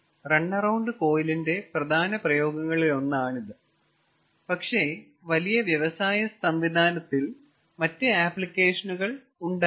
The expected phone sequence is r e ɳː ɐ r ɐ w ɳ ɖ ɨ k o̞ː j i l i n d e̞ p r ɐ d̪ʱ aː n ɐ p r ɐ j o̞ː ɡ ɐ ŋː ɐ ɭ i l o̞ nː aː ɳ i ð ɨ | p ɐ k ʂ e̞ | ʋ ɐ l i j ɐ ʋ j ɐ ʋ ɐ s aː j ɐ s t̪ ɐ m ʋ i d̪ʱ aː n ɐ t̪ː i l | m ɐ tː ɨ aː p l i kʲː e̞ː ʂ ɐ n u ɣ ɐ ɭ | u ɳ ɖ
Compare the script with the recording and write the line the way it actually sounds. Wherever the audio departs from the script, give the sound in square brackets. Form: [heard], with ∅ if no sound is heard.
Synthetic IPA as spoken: r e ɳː ɐ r ɐ w ɳ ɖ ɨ k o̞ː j i l i n d e̞ p r ɐ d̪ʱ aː n ɐ p r ɐ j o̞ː ɡ ɐ ŋː ɐ ɭ i l o̞ nː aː ɳ i ð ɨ | p ɐ k ʂ e̞ | ʋ ɐ l i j ɐ ʋ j ɐ ʋ ɐ s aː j ɐ s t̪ ɐ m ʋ i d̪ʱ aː n ɐ t̪ː i l | m ɐ tː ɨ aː p l i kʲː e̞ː ʂ ɐ n u ɣ ɐ ɭ | u ɳ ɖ